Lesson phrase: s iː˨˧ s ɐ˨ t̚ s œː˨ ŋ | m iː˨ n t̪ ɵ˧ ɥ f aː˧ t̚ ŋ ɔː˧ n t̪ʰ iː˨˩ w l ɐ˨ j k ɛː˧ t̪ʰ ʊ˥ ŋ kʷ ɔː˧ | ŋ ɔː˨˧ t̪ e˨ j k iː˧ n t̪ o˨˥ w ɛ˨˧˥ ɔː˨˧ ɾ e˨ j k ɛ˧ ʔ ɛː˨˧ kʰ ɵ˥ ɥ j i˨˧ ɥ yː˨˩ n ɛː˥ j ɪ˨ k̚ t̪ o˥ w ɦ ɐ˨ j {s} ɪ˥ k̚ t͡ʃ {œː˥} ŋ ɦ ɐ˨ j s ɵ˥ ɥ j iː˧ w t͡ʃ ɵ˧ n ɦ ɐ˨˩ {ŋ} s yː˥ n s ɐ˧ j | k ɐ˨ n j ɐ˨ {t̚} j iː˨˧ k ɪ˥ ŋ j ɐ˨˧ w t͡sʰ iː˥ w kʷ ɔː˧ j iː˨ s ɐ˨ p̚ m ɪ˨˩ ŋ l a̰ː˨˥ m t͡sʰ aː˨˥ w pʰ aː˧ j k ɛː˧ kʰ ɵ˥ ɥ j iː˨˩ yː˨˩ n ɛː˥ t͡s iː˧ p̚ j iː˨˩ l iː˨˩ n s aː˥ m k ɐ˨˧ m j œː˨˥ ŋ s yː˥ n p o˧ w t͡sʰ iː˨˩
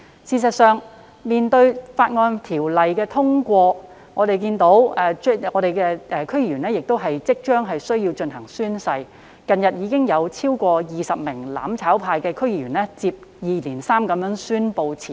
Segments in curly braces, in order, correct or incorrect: incorrect: t͡s, correct, correct, correct

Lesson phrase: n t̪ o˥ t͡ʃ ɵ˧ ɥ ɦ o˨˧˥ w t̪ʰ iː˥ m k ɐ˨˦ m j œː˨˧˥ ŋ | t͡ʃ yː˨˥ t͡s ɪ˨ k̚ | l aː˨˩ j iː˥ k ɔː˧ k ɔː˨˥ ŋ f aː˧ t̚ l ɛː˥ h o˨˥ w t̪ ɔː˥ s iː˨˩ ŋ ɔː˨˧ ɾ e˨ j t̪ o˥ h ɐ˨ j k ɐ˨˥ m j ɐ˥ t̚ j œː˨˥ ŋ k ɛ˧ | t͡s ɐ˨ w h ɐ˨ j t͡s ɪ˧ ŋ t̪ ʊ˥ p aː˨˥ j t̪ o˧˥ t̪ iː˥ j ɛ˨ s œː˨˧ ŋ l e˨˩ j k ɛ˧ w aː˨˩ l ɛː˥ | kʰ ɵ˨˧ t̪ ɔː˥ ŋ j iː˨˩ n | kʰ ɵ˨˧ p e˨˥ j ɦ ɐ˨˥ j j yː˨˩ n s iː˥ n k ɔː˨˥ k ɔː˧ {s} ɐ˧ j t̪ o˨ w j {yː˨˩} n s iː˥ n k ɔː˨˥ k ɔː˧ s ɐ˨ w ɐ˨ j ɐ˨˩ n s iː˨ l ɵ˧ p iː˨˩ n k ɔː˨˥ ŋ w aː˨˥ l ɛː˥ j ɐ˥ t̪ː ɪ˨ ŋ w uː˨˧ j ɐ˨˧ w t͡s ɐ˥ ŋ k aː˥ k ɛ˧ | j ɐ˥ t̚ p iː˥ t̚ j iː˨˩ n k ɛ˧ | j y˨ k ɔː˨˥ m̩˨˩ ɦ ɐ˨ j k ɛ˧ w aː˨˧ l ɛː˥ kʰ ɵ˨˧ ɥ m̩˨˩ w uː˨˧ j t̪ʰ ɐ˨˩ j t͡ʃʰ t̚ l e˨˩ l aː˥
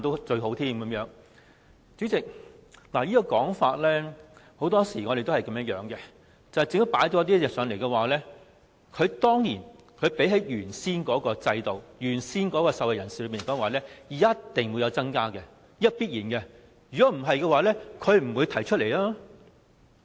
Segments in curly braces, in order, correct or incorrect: incorrect: t͡s, correct

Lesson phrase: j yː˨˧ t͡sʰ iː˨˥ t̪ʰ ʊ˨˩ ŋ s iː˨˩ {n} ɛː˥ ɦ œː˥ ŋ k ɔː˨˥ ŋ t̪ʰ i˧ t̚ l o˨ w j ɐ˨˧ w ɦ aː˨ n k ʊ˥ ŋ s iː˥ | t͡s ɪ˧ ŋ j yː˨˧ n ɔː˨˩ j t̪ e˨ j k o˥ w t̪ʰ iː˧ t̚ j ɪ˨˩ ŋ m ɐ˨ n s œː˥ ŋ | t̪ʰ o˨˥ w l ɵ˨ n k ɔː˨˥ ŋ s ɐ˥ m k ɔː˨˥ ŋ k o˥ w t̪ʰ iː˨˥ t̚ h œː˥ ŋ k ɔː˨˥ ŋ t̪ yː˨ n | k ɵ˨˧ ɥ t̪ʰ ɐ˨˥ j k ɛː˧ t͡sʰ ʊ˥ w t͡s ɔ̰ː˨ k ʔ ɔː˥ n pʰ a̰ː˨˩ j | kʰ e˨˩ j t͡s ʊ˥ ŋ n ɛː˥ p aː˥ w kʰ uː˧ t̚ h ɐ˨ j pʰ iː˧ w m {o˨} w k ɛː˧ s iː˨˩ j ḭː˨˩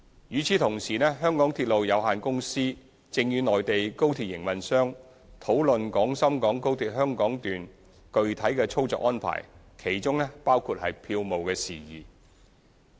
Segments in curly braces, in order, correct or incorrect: correct, correct

